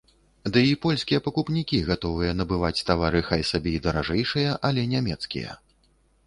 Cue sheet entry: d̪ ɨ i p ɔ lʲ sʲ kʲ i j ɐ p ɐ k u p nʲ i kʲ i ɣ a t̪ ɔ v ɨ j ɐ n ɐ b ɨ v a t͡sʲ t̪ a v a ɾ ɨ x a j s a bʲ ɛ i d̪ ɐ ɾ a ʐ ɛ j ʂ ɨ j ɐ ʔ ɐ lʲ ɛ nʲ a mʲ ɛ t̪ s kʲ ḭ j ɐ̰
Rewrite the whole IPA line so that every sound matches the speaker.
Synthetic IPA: d̪ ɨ i p ɔ lʲ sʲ kʲ i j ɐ p ɐ k u p nʲ i kʲ i ɣ a t̪ ɔ v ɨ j ɐ n ɐ b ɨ v a t͡sʲ t̪ a v a ɾ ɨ x a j s a bʲ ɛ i d̪ ɐ ɾ a ʐ ɛ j ʂ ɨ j ɐ ʔ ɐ lʲ ɛ nʲ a mʲ ɛ t̪ s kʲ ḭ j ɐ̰